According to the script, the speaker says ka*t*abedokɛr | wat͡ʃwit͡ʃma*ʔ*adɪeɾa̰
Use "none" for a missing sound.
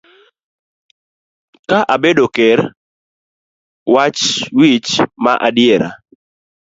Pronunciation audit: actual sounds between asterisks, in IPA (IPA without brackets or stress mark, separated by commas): ʔ, ʔ